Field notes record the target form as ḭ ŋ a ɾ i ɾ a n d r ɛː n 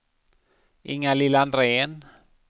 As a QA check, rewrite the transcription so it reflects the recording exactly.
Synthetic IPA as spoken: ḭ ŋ a l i l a n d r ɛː n